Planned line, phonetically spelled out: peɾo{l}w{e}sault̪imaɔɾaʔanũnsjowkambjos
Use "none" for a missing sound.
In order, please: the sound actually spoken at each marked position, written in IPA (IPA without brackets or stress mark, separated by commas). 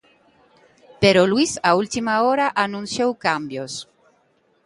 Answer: l, i